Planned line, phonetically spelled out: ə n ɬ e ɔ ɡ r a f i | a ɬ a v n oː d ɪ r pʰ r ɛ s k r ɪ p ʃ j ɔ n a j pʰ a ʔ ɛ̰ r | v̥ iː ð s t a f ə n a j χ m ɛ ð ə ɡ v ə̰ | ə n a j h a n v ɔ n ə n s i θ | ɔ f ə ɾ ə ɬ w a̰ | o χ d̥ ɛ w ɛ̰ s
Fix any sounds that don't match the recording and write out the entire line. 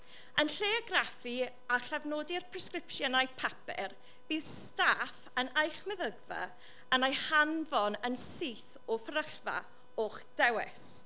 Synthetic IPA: ə n ɬ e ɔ ɡ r a f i | a ɬ a v n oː d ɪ r pʰ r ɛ s k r ɪ p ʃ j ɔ n a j pʰ a p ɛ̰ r | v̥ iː ð s t a f ə n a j χ m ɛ ð ə ɡ v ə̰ | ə n a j h a n v ɔ n ə n s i θ | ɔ f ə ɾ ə ɬ v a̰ | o χ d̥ ɛ w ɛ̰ s